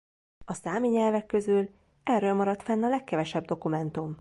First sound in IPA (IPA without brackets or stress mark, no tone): ɒ